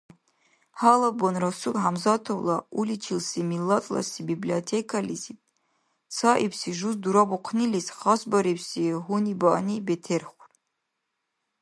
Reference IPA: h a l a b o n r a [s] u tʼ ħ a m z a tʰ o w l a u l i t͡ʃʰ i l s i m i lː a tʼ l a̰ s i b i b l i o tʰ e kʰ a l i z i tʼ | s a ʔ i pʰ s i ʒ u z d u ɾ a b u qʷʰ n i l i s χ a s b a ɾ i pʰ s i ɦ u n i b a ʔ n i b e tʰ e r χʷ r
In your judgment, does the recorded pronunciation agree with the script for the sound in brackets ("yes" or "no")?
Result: yes